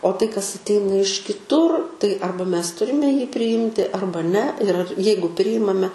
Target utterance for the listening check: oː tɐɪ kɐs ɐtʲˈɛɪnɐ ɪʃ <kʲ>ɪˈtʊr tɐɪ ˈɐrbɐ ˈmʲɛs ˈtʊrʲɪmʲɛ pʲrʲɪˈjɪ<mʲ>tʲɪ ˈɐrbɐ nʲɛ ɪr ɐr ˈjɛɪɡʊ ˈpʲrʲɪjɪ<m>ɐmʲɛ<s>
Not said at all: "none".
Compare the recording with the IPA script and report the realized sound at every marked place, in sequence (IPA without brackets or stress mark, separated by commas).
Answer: kʲ, mʲ, m, none